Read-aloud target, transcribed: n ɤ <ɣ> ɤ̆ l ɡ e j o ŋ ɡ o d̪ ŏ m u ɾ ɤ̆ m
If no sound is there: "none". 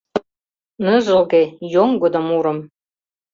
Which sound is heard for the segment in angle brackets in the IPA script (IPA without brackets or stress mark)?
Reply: ʒ